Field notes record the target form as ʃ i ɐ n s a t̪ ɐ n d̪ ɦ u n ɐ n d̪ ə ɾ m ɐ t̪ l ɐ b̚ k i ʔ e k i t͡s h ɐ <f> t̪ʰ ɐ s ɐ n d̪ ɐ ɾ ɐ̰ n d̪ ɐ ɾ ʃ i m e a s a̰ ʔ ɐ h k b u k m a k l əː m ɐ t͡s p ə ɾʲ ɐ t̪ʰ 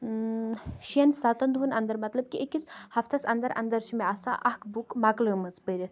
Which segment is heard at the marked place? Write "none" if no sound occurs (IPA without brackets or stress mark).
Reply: f